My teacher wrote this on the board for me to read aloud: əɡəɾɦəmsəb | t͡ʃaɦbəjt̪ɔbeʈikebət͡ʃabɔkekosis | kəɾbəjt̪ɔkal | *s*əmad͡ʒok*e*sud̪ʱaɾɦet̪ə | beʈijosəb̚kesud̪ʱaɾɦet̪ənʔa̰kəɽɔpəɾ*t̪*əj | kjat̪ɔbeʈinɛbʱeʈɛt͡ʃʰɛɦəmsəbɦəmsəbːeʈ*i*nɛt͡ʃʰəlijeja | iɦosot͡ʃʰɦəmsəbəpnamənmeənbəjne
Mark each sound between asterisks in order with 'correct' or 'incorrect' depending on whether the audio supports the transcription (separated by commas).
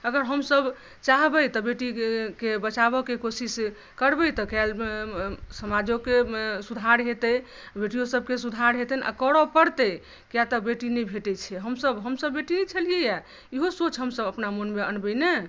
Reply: correct, correct, correct, correct